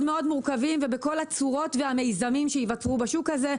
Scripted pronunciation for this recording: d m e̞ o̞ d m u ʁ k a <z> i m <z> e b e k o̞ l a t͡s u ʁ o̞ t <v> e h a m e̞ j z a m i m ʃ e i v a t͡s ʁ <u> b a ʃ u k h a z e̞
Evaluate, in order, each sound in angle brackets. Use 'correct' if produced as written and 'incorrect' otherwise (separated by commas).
incorrect, incorrect, correct, correct